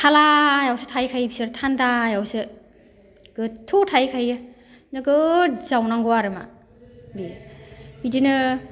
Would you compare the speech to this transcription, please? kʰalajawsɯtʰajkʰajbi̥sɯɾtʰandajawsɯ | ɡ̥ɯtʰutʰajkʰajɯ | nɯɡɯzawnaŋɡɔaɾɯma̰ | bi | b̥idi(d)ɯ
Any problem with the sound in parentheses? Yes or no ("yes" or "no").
yes